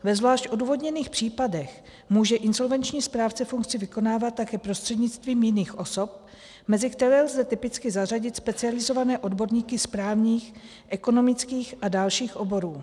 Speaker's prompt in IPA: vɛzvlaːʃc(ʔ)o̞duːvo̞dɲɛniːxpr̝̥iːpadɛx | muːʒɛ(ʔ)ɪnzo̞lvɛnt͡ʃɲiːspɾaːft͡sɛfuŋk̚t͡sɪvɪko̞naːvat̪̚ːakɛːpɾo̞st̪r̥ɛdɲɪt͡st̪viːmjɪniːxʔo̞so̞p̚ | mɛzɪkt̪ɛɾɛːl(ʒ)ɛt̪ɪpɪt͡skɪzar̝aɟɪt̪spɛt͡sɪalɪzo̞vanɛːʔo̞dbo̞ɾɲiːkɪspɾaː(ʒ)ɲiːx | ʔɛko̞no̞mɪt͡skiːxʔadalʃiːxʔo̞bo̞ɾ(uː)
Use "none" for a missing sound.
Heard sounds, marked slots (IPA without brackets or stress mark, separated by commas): ʔ, ʔ, z, v, uː